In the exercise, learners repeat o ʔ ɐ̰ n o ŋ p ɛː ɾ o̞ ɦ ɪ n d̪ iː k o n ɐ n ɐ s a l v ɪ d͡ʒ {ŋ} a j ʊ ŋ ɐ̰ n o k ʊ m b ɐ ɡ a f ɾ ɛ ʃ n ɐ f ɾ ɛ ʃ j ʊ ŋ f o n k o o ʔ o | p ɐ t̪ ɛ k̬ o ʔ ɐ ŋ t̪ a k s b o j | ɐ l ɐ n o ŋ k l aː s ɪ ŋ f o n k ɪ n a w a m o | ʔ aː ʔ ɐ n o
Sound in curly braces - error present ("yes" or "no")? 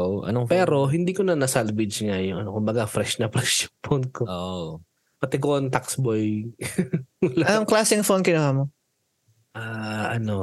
no